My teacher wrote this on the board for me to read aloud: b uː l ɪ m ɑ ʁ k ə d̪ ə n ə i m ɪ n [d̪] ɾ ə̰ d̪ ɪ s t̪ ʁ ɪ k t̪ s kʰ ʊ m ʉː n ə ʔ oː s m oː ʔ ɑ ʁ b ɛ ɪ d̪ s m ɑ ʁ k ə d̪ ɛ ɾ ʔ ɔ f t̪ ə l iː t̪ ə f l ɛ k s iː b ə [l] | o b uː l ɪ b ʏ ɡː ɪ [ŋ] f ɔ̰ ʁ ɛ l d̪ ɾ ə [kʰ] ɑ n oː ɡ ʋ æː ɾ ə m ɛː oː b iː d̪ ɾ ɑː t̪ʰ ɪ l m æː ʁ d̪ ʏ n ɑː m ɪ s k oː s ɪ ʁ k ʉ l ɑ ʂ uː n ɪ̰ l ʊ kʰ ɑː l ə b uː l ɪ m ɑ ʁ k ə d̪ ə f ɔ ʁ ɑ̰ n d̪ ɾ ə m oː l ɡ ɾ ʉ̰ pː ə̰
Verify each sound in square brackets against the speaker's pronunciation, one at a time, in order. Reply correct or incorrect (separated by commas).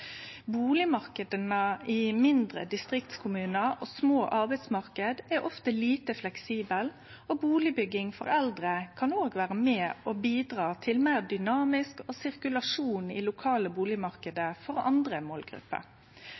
correct, correct, correct, correct